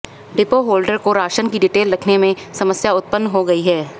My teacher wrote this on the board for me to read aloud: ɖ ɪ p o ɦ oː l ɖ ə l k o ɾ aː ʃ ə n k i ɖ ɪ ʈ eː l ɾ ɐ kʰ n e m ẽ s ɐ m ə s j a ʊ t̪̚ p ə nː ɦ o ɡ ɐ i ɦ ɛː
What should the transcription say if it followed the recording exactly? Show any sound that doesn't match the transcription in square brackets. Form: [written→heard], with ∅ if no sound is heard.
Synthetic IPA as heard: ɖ ɪ p o ɦ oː l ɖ ə [l→ɾ] k o ɾ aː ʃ ə n k i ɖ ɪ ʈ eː l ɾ ɐ kʰ n e m ẽ s ɐ m ə s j a ʊ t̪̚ p ə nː ɦ o ɡ ɐ i ɦ ɛː